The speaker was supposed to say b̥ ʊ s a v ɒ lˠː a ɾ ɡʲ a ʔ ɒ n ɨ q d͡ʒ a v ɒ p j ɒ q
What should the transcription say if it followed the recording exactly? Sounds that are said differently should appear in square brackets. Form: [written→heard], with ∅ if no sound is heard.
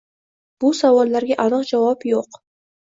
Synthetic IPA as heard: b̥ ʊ s a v ɒ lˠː a ɾ ɡʲ a ʔ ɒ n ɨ q d͡ʒ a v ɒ p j [ɒ→o] q